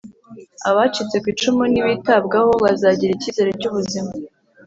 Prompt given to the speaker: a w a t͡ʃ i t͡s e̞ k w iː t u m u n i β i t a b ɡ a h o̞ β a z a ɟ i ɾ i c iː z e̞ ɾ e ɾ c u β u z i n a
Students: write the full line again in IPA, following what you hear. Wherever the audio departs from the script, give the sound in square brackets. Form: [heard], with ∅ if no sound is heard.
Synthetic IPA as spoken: a [β] a t͡ʃ i t͡s e̞ k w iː [t͡ʃ] u m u n i β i t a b ɡ a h o̞ β a z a ɟ i ɾ i c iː z e̞ ɾ e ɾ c u β u z i [m] a